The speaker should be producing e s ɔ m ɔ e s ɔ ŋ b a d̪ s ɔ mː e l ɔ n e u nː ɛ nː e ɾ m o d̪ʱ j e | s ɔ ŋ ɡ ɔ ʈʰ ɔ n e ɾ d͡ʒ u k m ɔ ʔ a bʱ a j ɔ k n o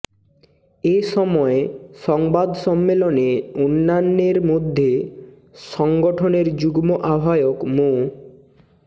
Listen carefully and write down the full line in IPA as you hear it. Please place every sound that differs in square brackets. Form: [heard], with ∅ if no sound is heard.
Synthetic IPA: e s ɔ m ɔ e s ɔ ŋ b a d̪ s ɔ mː e l ɔ n e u nː [a] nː e ɾ m o d̪ʱ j e | s ɔ ŋ ɡ ɔ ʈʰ ɔ n e ɾ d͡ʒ u [ɡ] m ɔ ʔ a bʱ a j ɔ k [m] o